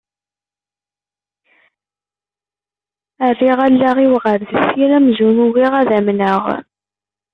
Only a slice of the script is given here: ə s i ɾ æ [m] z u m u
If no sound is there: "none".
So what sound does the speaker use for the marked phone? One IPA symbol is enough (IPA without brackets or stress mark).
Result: m